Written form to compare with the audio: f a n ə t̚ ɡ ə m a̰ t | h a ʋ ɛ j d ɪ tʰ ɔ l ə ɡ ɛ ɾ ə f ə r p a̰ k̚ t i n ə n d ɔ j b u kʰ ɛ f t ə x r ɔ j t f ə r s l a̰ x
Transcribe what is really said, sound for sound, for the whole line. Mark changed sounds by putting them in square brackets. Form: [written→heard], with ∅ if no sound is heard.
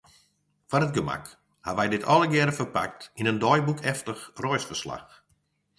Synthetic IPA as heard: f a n ə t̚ ɡ ə m a̰ [t→k] | h a ʋ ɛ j d ɪ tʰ ɔ l ə ɡ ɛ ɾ ə f ə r p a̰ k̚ t i n ə n d ɔ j b u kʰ ɛ f t ə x r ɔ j [t→s] f ə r s l a̰ x